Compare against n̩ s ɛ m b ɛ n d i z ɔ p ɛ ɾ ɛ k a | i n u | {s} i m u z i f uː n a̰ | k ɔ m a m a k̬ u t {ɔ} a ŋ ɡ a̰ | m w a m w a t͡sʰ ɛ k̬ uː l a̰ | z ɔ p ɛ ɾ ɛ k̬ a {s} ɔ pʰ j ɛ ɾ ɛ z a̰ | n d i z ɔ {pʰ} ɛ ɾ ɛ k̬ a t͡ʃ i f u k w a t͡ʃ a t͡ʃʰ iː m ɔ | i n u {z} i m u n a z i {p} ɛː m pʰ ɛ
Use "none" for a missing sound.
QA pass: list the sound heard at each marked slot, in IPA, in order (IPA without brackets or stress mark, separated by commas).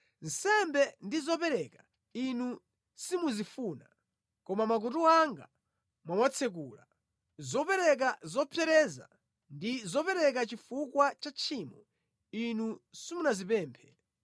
s, u, z, p, s, p